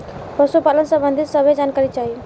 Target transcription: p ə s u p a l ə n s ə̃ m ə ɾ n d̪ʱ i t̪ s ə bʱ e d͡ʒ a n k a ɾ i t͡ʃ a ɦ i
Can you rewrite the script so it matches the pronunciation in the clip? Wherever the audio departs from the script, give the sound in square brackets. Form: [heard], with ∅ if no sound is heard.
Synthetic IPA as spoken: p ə s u p a l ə n s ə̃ [b] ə [∅] n d̪ʱ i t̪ s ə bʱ e d͡ʒ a n k a ɾ i t͡ʃ a ɦ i